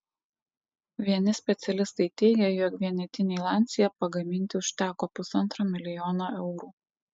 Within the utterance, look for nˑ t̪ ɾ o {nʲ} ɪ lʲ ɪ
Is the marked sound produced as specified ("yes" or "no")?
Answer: no